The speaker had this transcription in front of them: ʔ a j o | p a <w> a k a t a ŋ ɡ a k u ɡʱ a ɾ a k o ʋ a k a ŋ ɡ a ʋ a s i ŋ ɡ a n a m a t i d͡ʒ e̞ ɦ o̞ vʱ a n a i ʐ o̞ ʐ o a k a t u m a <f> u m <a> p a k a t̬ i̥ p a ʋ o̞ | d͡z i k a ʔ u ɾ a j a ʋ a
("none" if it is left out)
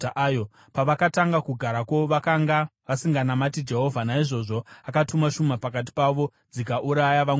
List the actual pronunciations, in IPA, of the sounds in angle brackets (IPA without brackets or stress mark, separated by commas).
ʋ, ʃ, a